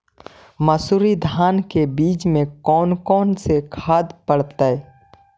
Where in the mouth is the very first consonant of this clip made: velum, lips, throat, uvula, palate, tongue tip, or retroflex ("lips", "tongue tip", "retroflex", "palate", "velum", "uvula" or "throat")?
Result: lips